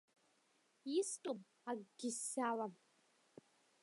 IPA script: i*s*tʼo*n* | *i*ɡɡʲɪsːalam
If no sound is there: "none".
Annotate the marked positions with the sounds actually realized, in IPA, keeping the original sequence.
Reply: s, m, a

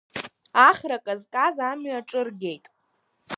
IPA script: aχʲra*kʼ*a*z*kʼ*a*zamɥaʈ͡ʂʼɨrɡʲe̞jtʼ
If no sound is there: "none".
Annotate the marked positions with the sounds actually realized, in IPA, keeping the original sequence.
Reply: kʼ, z, a

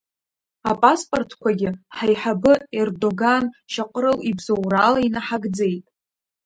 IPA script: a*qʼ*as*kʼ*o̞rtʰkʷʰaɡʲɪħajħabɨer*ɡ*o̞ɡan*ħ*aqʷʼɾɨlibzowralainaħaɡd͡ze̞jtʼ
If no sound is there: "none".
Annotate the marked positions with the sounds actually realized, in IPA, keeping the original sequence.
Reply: pʼ, pʼ, d, ʃ

